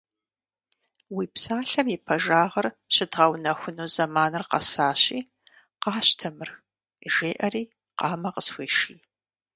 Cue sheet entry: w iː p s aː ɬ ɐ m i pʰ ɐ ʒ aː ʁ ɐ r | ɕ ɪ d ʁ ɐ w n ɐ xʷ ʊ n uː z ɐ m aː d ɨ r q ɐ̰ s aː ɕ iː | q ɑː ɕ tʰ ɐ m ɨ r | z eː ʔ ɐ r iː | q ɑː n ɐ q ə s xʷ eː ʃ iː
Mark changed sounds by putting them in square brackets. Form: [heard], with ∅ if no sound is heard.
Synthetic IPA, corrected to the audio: w iː p s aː ɬ ɐ m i pʰ ɐ ʒ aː ʁ ɐ r | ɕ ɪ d ʁ ɐ w n ɐ xʷ ʊ n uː z ɐ m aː [n] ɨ r q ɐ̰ s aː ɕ iː | q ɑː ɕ tʰ ɐ m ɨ r | [ʒ] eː ʔ ɐ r iː | q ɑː [m] ɐ q ə s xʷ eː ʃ iː

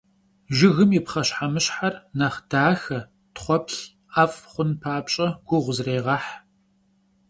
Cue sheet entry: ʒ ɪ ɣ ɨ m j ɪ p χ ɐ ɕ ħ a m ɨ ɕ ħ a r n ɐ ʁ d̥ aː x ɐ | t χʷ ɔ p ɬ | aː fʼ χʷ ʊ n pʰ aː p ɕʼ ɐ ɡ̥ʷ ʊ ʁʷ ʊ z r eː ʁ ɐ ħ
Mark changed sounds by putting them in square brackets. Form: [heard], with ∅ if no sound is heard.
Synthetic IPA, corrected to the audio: ʒ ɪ ɣ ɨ m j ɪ p χ ɐ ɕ ħ a m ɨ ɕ ħ a r n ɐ [χ] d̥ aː x ɐ | t χʷ ɔ p ɬ | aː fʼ χʷ ʊ n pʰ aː p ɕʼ ɐ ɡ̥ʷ ʊ ʁʷ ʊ z r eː ʁ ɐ ħ

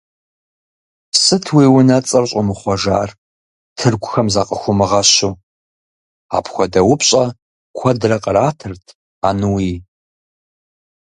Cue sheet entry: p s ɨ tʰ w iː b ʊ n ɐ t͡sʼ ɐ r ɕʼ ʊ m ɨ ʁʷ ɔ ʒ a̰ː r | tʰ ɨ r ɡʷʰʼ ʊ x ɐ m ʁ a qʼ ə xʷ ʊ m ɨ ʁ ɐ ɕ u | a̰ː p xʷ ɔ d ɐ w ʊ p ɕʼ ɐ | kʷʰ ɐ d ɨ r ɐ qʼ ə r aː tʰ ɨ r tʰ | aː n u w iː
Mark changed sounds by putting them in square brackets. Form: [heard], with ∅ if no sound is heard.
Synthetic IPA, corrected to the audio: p s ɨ tʰ w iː [w] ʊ n ɐ t͡sʼ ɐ r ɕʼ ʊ m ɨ [χʷ] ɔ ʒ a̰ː r | tʰ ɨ r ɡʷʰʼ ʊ x ɐ m [z] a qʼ ə xʷ ʊ m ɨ ʁ ɐ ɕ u | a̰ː p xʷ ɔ d ɐ w ʊ p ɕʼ ɐ | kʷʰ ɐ d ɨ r ɐ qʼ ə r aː tʰ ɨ r tʰ | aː n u w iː

